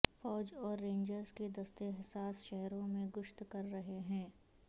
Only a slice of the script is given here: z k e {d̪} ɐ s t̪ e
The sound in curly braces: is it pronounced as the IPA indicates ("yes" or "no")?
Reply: yes